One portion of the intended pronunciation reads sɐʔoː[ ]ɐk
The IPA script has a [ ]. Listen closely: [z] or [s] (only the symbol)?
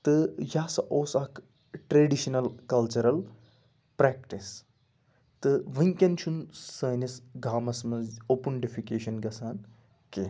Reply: s